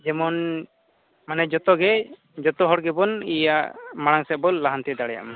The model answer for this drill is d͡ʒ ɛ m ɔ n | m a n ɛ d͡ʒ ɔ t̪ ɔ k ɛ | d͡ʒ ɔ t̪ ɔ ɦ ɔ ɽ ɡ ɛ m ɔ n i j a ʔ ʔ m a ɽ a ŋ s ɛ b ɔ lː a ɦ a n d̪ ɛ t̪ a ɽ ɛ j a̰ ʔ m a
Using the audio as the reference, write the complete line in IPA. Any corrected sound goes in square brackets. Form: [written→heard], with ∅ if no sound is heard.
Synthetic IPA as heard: d͡ʒ ɛ m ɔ n | m a n ɛ d͡ʒ ɔ t̪ ɔ [k→ɡ] ɛ | d͡ʒ ɔ t̪ ɔ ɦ ɔ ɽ ɡ ɛ [m→b] ɔ n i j a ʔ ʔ m a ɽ a ŋ s ɛ b ɔ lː a ɦ a n [d̪→t̪] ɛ [t̪→d̪] a ɽ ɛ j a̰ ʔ m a